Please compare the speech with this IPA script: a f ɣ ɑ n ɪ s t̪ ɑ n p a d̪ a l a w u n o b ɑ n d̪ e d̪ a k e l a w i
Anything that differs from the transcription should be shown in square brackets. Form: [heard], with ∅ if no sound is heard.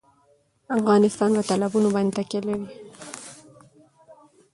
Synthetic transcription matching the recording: a f ɣ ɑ n ɪ s t̪ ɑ n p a [t̪] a l a [b] u n o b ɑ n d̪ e [t̪] a k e l a w i

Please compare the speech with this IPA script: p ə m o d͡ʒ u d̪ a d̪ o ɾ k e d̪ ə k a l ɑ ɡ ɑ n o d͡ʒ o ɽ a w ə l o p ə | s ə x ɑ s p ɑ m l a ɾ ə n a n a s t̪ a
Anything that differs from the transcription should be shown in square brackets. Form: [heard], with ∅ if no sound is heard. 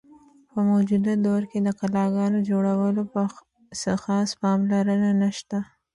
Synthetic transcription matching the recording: p ə m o d͡ʒ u d̪ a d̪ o ɾ k e d̪ ə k a l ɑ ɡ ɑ n o d͡ʒ o ɽ a w ə l o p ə | s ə x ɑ s p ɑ m l a ɾ ə n a n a [ʃ] t̪ a

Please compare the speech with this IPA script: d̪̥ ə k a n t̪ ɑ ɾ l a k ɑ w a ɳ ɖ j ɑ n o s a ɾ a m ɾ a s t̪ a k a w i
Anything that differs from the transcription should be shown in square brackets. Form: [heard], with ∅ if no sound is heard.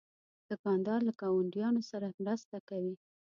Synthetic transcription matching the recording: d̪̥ ə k [ɑ] n [d̪] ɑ ɾ l a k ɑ w a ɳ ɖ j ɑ n o s a ɾ a m ɾ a s t̪ a k a w i

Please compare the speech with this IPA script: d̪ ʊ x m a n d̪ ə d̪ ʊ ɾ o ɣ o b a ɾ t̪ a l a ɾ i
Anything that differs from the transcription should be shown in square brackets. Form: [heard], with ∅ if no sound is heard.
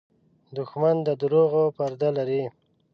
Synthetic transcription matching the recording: d̪ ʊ x m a n d̪ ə d̪ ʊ ɾ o ɣ o [p] a ɾ [d̪] a l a ɾ i

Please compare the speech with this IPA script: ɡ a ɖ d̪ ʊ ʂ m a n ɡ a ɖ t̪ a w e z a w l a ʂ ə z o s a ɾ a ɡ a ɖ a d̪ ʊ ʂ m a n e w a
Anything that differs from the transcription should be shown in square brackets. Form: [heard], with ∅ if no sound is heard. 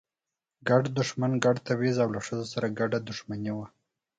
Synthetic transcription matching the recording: ɡ a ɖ d̪ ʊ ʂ m a n ɡ a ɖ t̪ a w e z a w l a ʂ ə z o s a ɾ a ɡ a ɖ a d̪ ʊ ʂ m a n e w a

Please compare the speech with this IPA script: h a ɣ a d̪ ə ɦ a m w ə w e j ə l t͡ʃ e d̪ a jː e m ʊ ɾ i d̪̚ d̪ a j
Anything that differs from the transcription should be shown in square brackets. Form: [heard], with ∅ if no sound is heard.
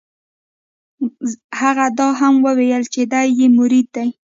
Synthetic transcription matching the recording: h a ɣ a d̪ [ɑ] ɦ a m w ə w e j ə l t͡ʃ e d̪ a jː e m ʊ ɾ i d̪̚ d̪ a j

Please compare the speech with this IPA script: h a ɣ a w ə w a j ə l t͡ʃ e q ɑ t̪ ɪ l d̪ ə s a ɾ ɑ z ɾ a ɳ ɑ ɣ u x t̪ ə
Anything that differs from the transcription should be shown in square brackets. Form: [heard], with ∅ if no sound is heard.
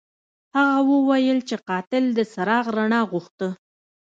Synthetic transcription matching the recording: h a ɣ a w ə w a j ə l t͡ʃ e q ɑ t̪ ɪ l d̪ ə s a ɾ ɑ [ɣ] ɾ a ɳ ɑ ɣ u x t̪ ə

